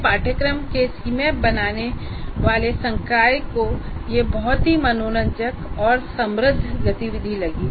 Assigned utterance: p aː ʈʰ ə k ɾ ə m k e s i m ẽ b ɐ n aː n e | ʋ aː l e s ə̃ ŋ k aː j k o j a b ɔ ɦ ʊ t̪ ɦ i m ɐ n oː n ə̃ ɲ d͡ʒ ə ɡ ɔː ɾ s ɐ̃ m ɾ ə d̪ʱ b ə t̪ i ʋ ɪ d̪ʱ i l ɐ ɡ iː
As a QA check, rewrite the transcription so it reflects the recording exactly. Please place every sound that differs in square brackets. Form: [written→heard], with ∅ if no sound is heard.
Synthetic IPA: p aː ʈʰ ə k ɾ ə m k e s i m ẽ b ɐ n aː n e | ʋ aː l e s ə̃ ŋ k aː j k o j [a→e] b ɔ ɦ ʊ t̪ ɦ i m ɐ n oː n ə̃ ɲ d͡ʒ ə [ɡ→k] ɔː ɾ s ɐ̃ m ɾ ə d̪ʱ [b→ɡ] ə t̪ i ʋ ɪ d̪ʱ i l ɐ ɡ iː